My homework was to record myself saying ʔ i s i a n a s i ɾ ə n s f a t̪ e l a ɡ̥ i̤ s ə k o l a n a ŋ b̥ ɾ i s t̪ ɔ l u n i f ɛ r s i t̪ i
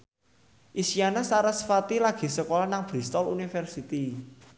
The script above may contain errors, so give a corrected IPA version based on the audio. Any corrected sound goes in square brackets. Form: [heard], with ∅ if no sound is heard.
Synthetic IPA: ʔ i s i a n a s [a] ɾ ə [∅] s f a t̪ [i] l a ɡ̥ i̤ s ə k o l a n a ŋ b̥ ɾ i s t̪ ɔ l u n i f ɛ r s i t̪ i